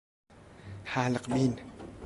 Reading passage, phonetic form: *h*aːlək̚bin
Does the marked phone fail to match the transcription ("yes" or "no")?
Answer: no